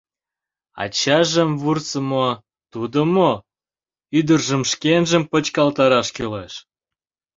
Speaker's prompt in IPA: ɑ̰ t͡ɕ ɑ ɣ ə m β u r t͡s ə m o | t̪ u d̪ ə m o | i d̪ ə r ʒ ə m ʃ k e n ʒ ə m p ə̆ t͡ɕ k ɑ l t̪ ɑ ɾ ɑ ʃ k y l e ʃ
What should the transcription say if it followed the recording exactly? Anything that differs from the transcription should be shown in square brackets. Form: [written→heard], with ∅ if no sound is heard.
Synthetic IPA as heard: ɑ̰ t͡ɕ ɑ [ɣ→ʒ] ə m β u r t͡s ə m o | t̪ u d̪ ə m o | [i→y] d̪ ə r ʒ ə m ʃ k e n ʒ ə m p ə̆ t͡ɕ k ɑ l t̪ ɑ ɾ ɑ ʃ k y l e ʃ

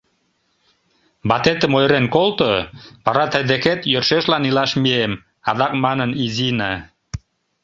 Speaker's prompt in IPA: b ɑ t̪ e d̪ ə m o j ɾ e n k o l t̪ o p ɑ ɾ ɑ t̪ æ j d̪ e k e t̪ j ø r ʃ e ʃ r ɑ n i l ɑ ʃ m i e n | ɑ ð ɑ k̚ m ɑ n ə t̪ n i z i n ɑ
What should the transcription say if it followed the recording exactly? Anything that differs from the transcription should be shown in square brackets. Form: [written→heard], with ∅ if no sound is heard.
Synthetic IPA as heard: b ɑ t̪ e [d̪→t̪] ə m o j ɾ e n k o l t̪ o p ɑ ɾ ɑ t̪ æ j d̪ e k e t̪ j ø r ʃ e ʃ [r→l] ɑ n i l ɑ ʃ m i e [n→m] | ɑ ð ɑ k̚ m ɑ n ə [t̪→∅] n i z i n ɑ

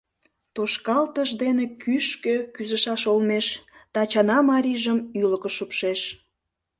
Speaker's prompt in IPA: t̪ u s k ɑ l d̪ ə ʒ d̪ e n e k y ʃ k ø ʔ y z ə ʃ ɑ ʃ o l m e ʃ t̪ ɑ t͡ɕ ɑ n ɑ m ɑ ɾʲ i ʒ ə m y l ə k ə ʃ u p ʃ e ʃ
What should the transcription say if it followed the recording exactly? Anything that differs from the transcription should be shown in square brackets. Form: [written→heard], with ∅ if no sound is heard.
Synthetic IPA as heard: t̪ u [s→ʃ] k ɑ l [d̪→t̪] ə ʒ d̪ e n e k y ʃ k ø [ʔ→k] y z ə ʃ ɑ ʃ o l m e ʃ t̪ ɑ t͡ɕ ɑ n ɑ m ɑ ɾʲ i ʒ ə m y l ə k ə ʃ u p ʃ e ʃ

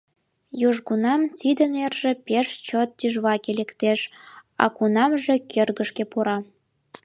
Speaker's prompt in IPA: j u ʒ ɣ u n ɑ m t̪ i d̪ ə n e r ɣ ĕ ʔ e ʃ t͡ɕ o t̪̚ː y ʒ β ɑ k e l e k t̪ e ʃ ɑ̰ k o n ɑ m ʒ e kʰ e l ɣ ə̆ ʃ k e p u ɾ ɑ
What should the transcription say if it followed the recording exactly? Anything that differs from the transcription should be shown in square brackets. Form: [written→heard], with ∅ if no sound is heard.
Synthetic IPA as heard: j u ʒ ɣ u n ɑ m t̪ i d̪ ə n e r [ɣ→ʒ] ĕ [ʔ→p] e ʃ t͡ɕ o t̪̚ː y ʒ β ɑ k e l e k t̪ e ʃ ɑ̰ k [o→u] n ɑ m ʒ e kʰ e [l→r] ɣ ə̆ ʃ k e p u ɾ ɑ

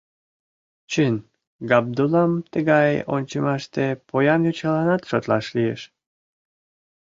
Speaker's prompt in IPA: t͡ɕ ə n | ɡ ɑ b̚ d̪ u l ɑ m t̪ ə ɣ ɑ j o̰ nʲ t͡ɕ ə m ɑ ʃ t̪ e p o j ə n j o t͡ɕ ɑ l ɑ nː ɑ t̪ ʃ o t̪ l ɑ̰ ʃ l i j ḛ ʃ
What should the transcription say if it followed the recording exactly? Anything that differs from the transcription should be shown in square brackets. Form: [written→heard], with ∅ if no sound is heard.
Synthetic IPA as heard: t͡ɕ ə n | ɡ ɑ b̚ d̪ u l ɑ m t̪ ə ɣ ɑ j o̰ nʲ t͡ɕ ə m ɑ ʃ t̪ e p o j [ə→ɑ] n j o t͡ɕ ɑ l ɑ [nː→n] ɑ t̪ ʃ o t̪ l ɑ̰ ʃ l i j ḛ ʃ

